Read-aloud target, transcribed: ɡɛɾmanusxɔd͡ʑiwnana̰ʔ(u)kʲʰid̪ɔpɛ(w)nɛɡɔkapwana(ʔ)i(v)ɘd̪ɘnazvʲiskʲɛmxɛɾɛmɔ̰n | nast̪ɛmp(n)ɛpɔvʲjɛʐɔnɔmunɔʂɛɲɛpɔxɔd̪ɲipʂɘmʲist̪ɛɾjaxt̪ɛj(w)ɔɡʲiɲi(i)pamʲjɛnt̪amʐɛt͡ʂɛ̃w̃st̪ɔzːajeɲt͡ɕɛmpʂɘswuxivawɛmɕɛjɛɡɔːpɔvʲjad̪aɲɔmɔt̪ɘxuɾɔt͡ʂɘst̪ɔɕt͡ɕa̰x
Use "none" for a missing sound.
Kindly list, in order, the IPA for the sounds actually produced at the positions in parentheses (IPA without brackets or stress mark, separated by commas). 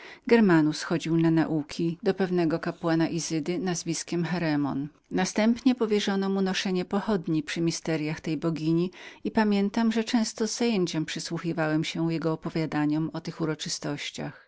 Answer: u, v, ʔ, z, ɲ, b, i